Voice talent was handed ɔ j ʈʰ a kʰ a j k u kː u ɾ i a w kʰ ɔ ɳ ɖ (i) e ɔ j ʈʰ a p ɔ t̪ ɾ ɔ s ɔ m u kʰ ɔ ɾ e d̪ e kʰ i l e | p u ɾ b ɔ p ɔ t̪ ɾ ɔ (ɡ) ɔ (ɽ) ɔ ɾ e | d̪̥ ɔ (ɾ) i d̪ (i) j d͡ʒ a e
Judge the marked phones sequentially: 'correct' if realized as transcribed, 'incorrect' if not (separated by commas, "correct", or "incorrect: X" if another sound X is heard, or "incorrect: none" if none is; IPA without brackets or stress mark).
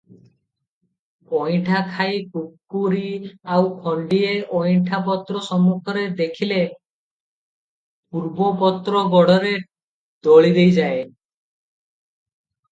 correct, correct, correct, incorrect: ɭ, incorrect: e